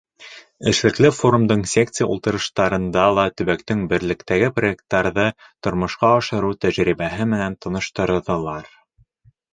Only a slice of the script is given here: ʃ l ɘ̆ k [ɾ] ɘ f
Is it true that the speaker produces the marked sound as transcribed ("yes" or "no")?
no